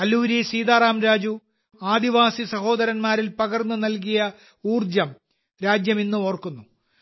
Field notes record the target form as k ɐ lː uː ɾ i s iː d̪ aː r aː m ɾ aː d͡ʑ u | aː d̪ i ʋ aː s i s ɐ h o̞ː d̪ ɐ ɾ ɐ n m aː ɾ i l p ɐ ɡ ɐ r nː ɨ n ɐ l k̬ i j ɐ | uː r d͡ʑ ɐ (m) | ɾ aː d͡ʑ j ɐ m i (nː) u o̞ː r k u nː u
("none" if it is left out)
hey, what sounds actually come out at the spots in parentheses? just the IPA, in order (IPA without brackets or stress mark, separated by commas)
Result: m, nː